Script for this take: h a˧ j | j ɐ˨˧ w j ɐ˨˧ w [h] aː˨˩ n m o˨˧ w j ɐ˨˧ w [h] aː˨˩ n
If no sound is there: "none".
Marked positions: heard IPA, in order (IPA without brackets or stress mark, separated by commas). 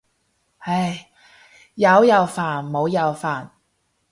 f, f